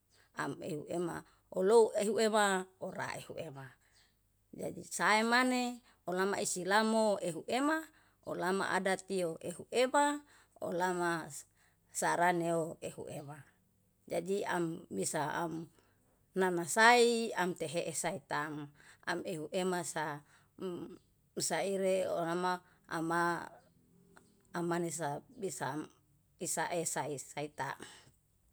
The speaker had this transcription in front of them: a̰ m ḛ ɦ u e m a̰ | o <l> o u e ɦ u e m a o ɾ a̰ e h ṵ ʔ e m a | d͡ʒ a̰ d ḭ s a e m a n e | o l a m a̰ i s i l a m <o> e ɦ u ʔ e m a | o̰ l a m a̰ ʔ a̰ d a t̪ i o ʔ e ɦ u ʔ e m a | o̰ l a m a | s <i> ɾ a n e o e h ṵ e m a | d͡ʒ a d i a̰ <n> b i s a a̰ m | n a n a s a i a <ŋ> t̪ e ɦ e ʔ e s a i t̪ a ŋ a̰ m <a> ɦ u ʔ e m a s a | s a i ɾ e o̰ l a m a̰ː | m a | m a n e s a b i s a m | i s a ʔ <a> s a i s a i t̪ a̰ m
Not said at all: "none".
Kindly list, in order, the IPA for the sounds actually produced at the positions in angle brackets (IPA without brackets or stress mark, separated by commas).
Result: l, o, a, m, m, e, e